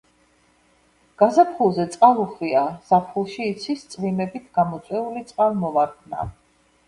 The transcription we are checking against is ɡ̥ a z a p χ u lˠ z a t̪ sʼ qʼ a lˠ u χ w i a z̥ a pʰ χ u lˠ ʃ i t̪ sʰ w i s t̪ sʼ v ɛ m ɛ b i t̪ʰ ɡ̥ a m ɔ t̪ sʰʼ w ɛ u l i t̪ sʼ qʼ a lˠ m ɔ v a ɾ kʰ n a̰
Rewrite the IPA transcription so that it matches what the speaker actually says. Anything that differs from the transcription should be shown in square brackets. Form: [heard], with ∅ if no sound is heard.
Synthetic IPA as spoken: ɡ̥ a z a p χ u lˠ z [ɛ] t̪ sʼ qʼ a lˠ u χ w i a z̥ a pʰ χ u lˠ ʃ [iː] t̪ sʰ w i s t̪ sʼ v [i] m ɛ b i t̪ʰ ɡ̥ a m ɔ t̪ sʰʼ w ɛ u l i t̪ sʼ qʼ a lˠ m ɔ v a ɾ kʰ n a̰